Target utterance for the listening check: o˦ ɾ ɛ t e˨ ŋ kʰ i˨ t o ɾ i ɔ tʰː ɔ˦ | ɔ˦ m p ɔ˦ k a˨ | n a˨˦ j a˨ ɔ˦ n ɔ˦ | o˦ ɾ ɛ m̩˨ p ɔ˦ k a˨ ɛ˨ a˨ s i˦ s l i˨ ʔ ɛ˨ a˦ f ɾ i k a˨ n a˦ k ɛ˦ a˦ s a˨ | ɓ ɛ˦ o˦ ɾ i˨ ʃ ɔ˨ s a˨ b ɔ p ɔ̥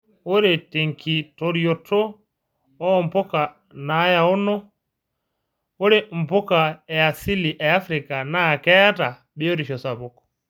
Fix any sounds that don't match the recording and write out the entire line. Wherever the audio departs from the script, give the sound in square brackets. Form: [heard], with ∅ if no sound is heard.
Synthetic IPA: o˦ ɾ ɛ t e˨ ŋ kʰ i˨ t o ɾ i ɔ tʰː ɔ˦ | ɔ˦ m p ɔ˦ k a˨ | n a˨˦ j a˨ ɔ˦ n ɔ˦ | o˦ ɾ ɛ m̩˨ p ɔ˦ k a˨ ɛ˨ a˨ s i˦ [∅] l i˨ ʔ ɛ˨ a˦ f ɾ i k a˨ n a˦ k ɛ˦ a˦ [t] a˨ | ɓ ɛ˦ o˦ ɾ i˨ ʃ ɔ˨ s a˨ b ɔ [k] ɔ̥

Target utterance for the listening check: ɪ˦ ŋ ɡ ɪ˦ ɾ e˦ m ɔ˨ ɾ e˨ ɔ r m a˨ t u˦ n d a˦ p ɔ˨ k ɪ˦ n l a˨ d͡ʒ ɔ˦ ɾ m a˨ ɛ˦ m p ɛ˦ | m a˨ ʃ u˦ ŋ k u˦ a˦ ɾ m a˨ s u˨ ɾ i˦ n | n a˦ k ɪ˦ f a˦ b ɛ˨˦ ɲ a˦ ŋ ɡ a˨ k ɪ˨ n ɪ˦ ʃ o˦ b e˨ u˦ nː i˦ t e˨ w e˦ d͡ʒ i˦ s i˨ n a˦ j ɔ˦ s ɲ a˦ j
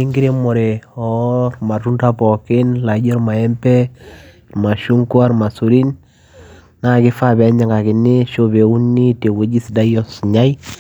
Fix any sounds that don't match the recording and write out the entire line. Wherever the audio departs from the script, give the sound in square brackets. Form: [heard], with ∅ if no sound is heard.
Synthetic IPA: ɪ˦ ŋ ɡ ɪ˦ ɾ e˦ m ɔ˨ ɾ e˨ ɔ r m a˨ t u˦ n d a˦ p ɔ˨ k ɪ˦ n l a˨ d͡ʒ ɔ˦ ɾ m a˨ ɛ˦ m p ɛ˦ | m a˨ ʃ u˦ ŋ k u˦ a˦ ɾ m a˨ s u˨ ɾ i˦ n | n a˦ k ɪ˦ f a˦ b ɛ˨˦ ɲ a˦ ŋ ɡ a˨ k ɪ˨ n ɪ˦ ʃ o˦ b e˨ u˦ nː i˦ t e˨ w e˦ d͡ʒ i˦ s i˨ [d] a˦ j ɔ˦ s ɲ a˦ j

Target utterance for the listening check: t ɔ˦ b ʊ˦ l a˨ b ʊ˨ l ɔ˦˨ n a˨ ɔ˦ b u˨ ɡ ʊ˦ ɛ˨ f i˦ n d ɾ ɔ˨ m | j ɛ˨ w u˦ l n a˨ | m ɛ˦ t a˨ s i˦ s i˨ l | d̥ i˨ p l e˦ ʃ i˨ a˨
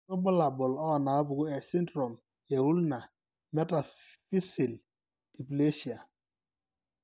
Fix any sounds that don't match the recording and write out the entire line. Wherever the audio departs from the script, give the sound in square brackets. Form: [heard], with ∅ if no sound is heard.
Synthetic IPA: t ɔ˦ b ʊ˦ l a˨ b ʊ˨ l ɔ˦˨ n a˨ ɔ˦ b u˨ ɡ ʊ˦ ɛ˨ [s] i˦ n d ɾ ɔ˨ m | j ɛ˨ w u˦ l n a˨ | m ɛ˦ t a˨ [f] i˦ s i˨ l | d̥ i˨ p l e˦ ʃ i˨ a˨

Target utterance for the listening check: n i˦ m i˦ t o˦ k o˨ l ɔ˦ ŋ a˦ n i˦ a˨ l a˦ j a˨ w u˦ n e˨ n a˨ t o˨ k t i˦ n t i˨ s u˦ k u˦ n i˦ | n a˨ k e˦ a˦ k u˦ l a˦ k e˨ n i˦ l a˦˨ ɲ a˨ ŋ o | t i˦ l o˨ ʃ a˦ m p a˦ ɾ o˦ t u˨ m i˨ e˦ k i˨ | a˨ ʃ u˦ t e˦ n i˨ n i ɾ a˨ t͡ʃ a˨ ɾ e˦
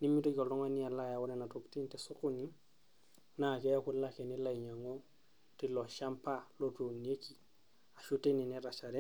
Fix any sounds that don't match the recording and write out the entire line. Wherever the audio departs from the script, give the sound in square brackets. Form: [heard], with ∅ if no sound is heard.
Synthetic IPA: n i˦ m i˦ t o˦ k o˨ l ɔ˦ ŋ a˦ n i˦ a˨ l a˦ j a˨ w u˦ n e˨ n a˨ t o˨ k t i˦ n t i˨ s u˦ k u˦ n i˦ | n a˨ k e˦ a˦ k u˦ l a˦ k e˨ n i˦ l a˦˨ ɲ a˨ ŋ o | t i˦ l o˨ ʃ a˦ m p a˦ [l] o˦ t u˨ [n] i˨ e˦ k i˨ | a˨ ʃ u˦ t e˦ n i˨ n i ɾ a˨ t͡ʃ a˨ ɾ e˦

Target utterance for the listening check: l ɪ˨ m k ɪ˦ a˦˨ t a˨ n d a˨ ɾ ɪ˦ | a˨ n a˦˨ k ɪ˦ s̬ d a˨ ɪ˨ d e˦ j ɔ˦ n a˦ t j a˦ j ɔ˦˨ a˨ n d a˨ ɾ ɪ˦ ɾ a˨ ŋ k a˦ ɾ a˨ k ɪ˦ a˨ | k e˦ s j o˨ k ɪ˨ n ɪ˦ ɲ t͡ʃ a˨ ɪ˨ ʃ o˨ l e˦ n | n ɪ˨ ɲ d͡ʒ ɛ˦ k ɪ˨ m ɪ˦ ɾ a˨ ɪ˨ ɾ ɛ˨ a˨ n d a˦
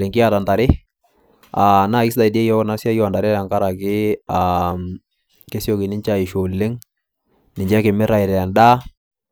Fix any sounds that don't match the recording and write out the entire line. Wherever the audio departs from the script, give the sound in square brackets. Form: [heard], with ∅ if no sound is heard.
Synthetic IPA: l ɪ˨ [ŋ] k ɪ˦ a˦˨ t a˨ n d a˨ ɾ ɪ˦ | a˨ n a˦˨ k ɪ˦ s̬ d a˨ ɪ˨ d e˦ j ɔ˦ n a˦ [s] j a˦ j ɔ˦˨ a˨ n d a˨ ɾ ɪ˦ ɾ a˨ ŋ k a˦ ɾ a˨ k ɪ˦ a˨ | k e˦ s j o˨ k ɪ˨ n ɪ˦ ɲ t͡ʃ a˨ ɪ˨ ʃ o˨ l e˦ [ŋ] | n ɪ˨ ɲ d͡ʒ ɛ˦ k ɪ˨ m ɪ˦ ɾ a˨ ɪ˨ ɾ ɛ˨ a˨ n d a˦

